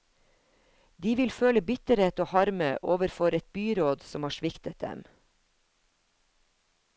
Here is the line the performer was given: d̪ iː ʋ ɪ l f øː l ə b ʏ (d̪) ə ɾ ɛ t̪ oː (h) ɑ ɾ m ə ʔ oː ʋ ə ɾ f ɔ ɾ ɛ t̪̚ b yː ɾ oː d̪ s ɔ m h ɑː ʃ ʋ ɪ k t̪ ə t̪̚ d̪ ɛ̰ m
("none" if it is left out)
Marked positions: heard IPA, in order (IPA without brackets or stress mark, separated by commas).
t̪, h